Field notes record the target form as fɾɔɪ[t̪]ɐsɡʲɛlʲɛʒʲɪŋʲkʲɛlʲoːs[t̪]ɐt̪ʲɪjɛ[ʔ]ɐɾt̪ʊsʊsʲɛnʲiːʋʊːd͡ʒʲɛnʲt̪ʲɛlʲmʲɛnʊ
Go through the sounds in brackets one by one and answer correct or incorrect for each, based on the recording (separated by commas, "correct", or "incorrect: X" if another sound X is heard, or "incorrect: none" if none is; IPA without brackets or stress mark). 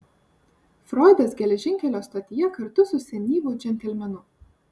incorrect: d̪, correct, incorrect: k